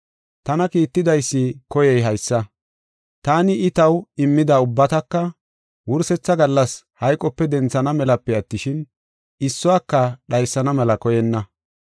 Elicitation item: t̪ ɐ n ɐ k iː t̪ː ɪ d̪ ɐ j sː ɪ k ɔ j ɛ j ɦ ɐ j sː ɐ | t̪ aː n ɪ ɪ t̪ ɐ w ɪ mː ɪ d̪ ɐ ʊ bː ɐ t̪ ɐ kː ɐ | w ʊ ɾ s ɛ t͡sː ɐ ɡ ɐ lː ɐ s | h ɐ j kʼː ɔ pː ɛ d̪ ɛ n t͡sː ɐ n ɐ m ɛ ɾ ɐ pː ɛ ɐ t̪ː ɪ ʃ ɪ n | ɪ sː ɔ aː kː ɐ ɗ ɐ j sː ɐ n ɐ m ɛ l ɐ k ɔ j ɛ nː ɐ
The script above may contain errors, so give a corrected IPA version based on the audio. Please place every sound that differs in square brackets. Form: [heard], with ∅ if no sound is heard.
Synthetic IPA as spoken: t̪ ɐ n ɐ k iː t̪ː ɪ d̪ ɐ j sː ɪ k ɔ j ɛ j ɦ ɐ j sː ɐ | t̪ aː n ɪ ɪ t̪ ɐ w ɪ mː ɪ d̪ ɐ ʊ bː ɐ t̪ ɐ kː ɐ | w ʊ ɾ s ɛ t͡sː ɐ ɡ ɐ lː ɐ s | h ɐ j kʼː ɔ pː ɛ d̪ ɛ n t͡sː ɐ n ɐ m ɛ [l] ɐ pː ɛ ɐ t̪ː ɪ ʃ ɪ n | ɪ sː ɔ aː kː ɐ ɗ ɐ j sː ɐ n ɐ m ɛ l ɐ k ɔ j ɛ nː ɐ

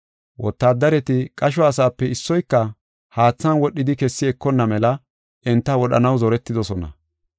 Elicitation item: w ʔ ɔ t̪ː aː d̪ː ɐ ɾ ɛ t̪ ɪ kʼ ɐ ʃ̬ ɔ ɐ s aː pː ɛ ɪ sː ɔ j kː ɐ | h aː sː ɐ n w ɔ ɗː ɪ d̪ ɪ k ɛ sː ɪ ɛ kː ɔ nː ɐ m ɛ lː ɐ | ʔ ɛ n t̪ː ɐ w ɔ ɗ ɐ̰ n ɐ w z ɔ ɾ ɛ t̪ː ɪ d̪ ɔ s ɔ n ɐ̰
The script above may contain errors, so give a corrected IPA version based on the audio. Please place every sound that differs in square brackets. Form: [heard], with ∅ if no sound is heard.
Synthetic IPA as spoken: w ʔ ɔ t̪ː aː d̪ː ɐ ɾ ɛ t̪ ɪ kʼ ɐ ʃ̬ ɔ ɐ s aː pː ɛ ɪ sː ɔ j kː ɐ | h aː [t͡sː] ɐ n w ɔ ɗː ɪ d̪ ɪ k ɛ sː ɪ ɛ kː ɔ nː ɐ m ɛ [l] ɐ | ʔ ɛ n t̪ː ɐ w ɔ ɗ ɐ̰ n ɐ w z ɔ ɾ ɛ t̪ː ɪ d̪ ɔ s ɔ n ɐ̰

